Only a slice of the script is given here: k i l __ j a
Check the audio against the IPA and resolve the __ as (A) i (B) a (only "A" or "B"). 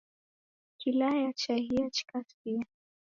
B